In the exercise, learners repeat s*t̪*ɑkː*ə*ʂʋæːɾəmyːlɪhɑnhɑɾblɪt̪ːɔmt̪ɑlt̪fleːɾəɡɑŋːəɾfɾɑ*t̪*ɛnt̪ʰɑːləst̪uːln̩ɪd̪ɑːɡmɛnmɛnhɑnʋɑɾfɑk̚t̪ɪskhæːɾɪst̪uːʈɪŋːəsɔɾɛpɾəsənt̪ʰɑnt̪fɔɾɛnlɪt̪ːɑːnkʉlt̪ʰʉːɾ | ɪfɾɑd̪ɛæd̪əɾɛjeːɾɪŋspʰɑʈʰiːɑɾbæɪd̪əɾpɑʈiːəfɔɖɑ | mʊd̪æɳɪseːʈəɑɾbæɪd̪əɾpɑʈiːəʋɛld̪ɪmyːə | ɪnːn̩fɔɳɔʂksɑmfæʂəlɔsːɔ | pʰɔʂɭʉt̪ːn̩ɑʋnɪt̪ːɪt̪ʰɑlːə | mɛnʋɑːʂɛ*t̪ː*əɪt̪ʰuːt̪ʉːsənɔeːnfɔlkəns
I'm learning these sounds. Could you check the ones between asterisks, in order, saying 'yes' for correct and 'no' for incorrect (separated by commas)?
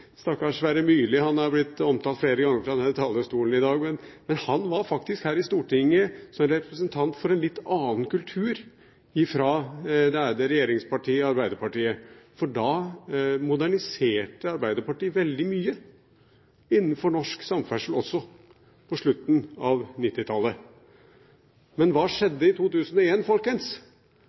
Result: yes, no, no, no